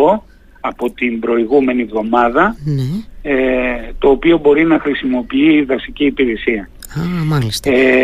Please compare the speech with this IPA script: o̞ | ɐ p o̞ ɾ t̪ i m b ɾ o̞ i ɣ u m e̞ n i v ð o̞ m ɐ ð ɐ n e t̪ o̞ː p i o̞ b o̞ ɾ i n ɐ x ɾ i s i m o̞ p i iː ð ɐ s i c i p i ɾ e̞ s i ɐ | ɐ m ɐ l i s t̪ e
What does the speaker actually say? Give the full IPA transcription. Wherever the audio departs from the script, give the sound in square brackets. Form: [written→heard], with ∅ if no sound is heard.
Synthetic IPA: o̞ | ɐ p o̞ [ɾ→∅] t̪ i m b ɾ o̞ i ɣ u m e̞ n i v ð o̞ m ɐ ð ɐ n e t̪ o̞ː p i o̞ b o̞ ɾ i n ɐ x ɾ i s i m o̞ p i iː ð ɐ s i c [i→iː] p i ɾ e̞ s i ɐ | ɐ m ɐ l i s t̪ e